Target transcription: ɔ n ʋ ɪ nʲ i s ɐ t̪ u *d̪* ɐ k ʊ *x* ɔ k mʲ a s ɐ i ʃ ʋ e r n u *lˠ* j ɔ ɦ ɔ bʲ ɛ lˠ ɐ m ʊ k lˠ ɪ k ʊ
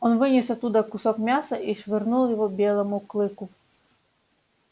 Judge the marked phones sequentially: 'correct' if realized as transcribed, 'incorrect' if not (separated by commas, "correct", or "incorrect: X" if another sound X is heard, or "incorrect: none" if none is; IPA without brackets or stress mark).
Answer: correct, incorrect: s, correct